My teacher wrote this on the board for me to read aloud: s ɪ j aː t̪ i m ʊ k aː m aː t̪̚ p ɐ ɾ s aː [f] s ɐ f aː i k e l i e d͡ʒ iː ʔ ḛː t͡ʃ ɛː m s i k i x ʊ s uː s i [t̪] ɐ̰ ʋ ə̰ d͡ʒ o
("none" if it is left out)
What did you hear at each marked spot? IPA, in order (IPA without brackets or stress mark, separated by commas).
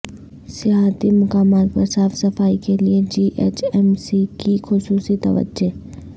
f, t̪